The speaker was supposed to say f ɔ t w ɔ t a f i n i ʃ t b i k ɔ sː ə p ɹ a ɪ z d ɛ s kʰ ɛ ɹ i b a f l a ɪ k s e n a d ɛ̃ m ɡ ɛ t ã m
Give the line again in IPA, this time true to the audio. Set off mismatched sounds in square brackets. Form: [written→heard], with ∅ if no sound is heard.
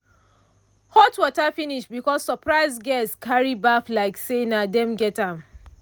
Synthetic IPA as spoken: [f→h] ɔ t w ɔ t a f i n i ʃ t b i k ɔ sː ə p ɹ a ɪ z [d→ɡ] ɛ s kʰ [ɛ→a] ɹ i b a f l a ɪ k s e n a d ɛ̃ m ɡ ɛ t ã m

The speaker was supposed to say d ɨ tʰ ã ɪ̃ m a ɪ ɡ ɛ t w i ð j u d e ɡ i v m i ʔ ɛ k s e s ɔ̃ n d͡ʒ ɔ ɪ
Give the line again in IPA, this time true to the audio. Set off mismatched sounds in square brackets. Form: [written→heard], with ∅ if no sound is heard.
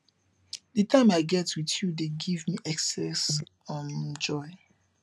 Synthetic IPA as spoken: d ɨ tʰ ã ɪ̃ m a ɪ ɡ ɛ t w i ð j u d e ɡ i v m i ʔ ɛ k s [e→ɛ] s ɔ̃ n d͡ʒ ɔ ɪ

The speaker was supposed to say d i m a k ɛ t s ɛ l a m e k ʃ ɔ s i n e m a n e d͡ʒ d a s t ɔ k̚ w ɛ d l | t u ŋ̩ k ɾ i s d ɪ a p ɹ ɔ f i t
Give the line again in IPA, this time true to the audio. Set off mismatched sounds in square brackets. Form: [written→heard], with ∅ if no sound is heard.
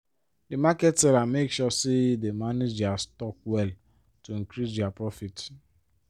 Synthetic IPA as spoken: d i m a k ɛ t s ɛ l a m e k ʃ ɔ s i [n→d] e m a n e d͡ʒ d a s t ɔ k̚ w ɛ [d→∅] l | t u ŋ̩ k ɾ i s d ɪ a p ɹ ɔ f i t

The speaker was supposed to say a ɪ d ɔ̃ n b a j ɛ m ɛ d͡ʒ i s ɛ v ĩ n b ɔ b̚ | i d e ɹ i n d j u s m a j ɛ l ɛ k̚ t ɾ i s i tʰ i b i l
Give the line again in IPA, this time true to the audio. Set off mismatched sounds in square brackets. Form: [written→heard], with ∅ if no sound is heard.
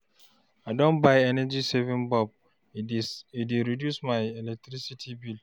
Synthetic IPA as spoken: a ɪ d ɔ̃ n b a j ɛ [m→n] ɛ d͡ʒ i s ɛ v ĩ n b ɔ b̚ | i d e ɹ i [n→∅] d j u s m a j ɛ l ɛ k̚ t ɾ i s i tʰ i b i l

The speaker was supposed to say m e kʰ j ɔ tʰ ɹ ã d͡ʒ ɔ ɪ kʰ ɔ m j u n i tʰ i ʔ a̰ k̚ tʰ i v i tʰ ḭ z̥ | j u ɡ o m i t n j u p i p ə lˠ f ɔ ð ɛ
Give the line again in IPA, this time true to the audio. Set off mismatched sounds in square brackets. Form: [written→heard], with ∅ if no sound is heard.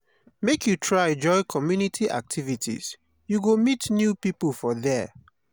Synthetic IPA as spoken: m e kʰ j [ɔ→u] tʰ ɹ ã d͡ʒ ɔ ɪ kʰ ɔ m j u n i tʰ i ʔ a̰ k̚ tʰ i v i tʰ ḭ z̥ | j u ɡ o m i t n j u p i p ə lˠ f ɔ ð ɛ

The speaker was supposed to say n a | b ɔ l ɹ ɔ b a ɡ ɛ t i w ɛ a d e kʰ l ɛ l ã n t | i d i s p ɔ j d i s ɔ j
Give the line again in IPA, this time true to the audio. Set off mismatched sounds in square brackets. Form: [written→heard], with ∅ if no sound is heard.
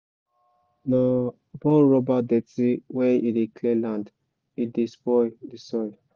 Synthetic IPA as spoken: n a | b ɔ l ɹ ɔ b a [ɡ→d] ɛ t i w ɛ [a→i] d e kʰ l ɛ l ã n [t→d] | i d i s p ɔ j d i s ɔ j

